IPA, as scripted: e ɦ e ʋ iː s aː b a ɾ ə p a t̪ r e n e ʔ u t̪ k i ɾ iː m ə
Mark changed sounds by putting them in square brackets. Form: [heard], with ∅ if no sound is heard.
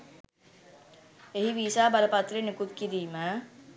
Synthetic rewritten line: e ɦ [i] ʋ iː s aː b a [l] ə p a t̪ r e n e [k] u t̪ k i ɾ iː m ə